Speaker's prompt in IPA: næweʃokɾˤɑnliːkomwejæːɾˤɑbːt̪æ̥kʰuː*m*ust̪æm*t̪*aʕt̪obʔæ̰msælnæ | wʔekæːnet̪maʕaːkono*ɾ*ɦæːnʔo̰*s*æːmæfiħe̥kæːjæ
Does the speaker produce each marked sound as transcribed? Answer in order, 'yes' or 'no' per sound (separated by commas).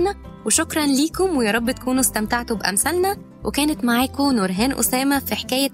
no, yes, yes, yes